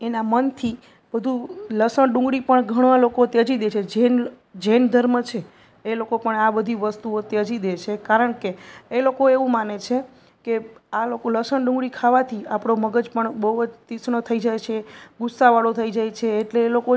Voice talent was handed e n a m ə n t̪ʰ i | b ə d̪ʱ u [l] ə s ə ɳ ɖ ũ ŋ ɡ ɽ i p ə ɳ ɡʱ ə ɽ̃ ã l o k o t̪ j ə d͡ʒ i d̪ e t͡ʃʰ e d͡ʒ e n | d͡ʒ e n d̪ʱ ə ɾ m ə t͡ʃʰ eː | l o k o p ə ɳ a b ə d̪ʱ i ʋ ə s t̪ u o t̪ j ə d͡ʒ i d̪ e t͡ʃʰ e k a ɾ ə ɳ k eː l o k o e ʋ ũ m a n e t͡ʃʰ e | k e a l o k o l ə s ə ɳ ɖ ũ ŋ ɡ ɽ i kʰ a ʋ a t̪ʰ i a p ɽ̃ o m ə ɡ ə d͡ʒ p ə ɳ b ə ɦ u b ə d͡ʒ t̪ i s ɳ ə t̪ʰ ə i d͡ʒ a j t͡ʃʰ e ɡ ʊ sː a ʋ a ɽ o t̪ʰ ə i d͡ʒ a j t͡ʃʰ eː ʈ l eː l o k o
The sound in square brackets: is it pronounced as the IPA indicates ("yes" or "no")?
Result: yes